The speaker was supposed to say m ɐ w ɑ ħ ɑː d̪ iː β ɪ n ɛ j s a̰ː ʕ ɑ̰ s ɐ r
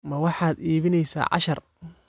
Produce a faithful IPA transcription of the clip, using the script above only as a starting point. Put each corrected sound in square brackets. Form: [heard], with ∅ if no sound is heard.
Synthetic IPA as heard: m ɐ w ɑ ħ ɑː d̪ iː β ɪ n ɛ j s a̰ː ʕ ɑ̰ [ʃ] ɐ r